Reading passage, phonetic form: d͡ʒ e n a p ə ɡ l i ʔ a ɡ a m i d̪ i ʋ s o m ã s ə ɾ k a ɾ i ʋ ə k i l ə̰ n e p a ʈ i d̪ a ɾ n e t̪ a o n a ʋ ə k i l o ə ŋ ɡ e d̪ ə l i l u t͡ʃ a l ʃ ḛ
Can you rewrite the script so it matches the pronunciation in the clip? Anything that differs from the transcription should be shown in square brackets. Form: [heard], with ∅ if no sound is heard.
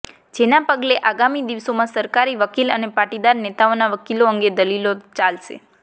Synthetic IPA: d͡ʒ e n a p ə ɡ l [e] ʔ a ɡ a m i d̪ i ʋ s o m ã s ə ɾ k a ɾ i ʋ ə k i l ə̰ n e p a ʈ i d̪ a ɾ n e t̪ a o n a ʋ ə k i l o ə ŋ ɡ e d̪ ə l i l [o] t͡ʃ a l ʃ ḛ